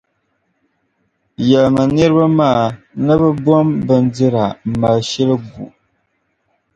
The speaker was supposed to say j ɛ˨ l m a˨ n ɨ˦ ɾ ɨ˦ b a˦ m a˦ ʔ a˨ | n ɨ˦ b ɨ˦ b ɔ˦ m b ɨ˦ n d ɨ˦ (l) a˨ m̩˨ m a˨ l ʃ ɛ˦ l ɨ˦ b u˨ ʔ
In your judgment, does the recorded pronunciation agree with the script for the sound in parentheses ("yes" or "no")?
no